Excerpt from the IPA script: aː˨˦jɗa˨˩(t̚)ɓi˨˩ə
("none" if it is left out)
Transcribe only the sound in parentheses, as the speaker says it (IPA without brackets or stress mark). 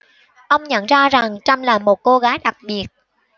k̚